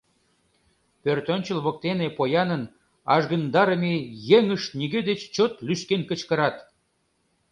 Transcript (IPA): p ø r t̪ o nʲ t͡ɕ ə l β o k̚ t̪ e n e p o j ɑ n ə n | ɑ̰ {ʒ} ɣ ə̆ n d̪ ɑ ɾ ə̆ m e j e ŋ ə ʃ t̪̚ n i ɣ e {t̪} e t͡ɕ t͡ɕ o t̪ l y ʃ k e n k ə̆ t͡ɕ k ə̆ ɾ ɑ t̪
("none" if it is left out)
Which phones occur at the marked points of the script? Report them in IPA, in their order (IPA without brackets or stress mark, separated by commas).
ʒ, d̪